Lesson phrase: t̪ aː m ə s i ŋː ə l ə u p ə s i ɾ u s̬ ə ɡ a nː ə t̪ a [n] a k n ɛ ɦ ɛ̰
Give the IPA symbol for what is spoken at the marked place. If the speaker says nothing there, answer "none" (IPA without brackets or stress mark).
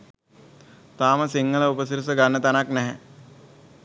n